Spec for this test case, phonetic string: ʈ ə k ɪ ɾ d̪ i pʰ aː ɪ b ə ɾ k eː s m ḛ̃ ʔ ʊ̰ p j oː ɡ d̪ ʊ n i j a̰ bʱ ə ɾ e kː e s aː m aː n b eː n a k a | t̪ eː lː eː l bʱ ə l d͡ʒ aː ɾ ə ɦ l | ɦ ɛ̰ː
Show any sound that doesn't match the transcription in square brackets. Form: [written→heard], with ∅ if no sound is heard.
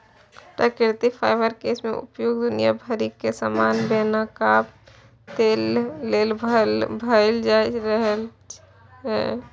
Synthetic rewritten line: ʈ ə k ɪ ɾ [d̪→t̪] i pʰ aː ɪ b ə ɾ k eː s m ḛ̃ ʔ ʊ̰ p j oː ɡ d̪ ʊ n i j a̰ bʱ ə ɾ [e→i] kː e s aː m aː n b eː n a k a | t̪ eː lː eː l bʱ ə l d͡ʒ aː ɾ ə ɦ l | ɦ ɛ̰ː